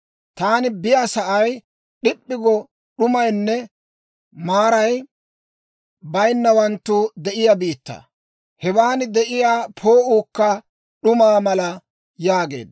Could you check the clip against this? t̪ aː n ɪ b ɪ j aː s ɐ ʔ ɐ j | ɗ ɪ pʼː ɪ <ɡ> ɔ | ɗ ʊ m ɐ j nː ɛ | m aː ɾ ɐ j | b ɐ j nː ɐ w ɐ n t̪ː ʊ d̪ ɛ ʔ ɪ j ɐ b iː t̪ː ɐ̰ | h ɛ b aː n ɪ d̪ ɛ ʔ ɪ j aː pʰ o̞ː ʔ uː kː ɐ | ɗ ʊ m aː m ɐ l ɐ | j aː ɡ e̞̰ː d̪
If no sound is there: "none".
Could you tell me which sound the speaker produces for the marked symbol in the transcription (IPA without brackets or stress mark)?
ɡ